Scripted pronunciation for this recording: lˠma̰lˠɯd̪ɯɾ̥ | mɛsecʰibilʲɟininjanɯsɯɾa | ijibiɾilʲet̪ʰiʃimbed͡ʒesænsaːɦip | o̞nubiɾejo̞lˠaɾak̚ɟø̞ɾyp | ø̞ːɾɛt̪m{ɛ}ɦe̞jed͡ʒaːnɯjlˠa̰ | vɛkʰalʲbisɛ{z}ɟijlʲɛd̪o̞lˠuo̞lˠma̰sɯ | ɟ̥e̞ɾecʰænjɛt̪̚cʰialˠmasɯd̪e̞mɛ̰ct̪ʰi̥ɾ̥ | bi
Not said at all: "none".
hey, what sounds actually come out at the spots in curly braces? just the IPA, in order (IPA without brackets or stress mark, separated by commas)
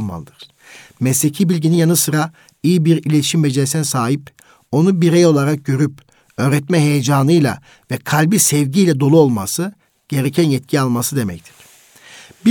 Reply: ɛ, v